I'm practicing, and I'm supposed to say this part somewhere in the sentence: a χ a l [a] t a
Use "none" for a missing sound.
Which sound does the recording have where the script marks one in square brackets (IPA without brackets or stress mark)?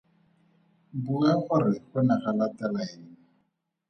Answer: a